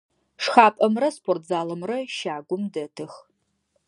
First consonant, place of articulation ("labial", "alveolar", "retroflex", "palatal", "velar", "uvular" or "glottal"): retroflex